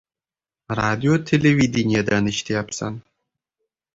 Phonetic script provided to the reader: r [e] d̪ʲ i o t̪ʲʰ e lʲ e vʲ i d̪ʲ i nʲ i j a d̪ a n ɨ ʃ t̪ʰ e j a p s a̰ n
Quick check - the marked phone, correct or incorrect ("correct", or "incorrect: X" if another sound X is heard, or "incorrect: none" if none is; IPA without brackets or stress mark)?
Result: incorrect: a